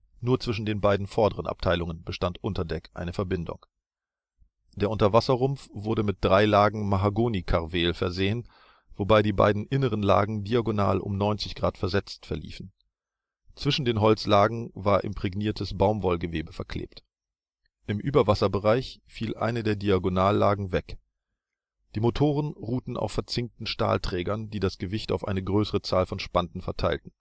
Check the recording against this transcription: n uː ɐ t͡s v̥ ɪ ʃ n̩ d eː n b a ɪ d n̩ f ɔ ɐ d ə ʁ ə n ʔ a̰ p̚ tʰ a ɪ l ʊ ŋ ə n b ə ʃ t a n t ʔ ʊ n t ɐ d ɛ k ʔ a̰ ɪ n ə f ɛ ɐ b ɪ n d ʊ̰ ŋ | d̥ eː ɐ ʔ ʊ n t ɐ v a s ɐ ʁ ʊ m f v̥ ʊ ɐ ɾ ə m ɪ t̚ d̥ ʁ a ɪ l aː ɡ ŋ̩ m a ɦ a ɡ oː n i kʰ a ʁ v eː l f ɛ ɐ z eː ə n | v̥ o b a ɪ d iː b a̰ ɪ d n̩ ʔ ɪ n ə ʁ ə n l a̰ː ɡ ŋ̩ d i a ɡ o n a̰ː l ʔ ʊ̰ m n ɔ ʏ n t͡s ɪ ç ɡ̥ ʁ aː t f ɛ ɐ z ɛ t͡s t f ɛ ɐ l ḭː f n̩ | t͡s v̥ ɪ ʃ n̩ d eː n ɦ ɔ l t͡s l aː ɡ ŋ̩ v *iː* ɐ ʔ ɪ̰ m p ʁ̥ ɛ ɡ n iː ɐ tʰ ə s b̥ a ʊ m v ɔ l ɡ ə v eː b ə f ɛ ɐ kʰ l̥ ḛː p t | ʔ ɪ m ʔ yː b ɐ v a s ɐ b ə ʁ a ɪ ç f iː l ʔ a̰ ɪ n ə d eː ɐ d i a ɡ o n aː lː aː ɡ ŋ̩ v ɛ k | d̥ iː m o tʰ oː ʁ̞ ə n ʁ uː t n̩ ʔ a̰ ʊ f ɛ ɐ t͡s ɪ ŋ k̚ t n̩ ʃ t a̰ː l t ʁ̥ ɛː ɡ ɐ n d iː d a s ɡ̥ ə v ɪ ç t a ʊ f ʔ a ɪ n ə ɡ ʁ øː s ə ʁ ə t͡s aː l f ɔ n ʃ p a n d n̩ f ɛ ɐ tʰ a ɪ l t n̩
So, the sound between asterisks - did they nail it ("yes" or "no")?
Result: no